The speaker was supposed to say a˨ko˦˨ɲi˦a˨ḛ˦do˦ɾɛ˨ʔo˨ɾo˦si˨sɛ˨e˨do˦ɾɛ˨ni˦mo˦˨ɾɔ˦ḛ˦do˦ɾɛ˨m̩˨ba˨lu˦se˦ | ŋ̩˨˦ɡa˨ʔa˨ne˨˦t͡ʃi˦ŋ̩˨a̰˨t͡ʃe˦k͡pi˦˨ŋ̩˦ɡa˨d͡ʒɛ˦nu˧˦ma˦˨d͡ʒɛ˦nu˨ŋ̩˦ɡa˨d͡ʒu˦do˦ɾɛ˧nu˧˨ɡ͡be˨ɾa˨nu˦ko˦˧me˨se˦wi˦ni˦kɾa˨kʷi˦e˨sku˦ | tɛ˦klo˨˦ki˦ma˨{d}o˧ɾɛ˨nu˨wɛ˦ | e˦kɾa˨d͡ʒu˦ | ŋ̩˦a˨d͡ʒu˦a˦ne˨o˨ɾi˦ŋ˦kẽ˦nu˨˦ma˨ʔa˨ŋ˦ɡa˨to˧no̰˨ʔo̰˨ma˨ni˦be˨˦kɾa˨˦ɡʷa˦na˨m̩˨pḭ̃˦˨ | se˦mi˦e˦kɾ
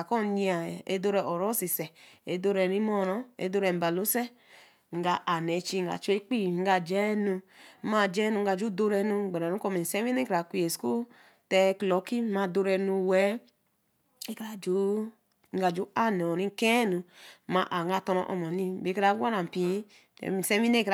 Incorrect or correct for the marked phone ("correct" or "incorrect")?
correct